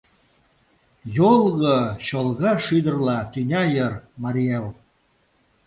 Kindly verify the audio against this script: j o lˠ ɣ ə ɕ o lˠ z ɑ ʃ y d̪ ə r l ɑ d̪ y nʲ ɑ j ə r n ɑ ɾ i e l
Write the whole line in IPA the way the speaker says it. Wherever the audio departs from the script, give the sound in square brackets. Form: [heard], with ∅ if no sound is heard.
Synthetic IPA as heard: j o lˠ ɣ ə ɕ o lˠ [ɣ] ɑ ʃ y d̪ ə r l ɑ [t̪] y nʲ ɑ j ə r [m] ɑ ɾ i e l